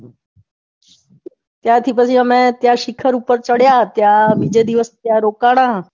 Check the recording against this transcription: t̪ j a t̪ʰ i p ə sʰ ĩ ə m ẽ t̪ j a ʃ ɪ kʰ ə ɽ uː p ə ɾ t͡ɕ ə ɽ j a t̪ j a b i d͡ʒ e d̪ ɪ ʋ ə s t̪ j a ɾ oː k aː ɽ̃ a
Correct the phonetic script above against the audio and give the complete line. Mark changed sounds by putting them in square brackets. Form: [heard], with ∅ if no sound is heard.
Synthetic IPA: t̪ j a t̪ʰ i p ə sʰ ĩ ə m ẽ t̪ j a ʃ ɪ kʰ ə [ɾ] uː p ə ɾ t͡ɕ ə ɽ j a t̪ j a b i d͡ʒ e d̪ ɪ ʋ ə s t̪ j a ɾ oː k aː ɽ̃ a